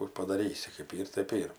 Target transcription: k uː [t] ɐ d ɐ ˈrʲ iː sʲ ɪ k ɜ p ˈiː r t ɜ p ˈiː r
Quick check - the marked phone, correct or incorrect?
incorrect